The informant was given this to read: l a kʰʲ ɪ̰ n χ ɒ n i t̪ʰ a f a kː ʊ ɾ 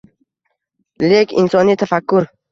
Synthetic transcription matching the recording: l e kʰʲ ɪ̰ n s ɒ n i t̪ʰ a f a kː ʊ ɾ